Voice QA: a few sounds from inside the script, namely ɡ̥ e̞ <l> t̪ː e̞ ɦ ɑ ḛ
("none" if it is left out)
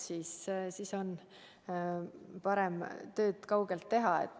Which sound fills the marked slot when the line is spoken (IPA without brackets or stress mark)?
l